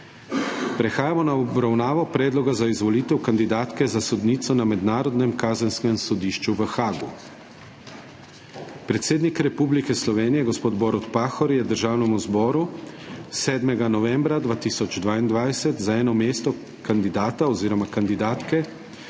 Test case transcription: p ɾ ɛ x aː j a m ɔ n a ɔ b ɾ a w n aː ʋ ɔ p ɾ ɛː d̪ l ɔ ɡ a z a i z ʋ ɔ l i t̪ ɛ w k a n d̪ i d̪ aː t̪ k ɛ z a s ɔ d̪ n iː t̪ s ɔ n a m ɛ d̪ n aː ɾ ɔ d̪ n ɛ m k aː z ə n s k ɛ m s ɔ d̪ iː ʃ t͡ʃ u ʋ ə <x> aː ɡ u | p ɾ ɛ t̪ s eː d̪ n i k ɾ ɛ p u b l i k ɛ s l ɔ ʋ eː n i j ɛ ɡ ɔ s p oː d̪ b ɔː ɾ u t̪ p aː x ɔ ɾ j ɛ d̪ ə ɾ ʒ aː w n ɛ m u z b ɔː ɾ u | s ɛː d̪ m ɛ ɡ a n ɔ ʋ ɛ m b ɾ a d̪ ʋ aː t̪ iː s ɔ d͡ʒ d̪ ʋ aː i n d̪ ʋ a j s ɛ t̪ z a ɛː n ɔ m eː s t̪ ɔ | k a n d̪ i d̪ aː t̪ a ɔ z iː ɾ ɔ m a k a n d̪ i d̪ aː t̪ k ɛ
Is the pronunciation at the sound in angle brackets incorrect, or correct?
correct